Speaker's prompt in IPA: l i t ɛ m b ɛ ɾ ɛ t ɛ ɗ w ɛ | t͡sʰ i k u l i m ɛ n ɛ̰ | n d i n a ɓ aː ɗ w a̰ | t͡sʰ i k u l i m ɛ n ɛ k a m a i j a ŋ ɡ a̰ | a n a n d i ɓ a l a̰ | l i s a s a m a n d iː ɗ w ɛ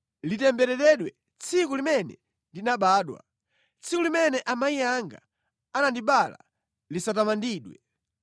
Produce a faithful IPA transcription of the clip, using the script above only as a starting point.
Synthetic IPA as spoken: l i t ɛ m b ɛ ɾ ɛ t ɛ ɗ w ɛ | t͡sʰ i k u l i m ɛ n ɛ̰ | n d i n a ɓ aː ɗ w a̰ | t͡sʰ i k u l i m ɛ n ɛ ʔ a m a i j a ŋ ɡ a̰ | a n a n d i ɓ a l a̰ | l i s a t a m a n d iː ɗ w ɛ